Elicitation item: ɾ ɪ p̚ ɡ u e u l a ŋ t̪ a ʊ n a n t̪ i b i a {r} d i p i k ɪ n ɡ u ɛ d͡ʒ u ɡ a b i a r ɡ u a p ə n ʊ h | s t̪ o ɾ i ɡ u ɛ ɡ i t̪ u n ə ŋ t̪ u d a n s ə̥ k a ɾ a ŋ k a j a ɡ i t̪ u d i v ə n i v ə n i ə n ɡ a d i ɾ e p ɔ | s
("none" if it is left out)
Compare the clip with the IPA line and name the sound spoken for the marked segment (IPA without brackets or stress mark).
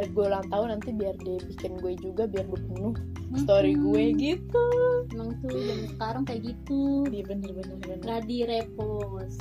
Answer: r